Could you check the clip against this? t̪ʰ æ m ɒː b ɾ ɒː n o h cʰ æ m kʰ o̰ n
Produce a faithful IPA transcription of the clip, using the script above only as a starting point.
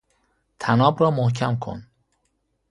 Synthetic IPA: t̪ʰ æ n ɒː b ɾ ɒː m o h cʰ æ m kʰ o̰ n